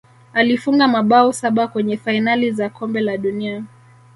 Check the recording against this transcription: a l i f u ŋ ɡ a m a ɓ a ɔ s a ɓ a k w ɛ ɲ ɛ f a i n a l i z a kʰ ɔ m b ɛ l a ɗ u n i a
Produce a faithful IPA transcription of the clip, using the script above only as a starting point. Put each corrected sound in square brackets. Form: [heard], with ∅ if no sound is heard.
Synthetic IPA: a l i f u ŋ ɡ a m a ɓ a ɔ s a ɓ a k w ɛ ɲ ɛ f a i n a l i z a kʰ ɔ m b ɛ l a ɗ u n i a